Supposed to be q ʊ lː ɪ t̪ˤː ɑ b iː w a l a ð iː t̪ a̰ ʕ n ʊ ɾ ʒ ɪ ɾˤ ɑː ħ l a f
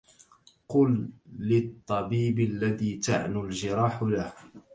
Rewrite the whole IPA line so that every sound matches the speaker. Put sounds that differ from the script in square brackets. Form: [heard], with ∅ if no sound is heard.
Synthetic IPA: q ʊ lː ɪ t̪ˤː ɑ b iː [b] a [lː] a ð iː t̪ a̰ ʕ n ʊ [l] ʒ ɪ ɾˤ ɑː ħ l a [h]